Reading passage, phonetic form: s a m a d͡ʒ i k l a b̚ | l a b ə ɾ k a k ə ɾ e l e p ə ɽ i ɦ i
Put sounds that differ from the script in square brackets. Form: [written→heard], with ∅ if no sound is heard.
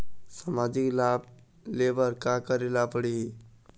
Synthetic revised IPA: s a m a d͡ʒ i k l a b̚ | l [a→e] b ə ɾ k a k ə ɾ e l [e→a] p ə ɽ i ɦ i

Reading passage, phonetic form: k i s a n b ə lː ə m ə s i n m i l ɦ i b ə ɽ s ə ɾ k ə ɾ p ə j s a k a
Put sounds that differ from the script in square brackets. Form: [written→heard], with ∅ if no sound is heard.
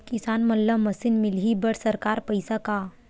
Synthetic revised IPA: k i s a n [b→m] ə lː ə m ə s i n m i l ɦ i b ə ɽ s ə ɾ k [ə→a] ɾ p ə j s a k a

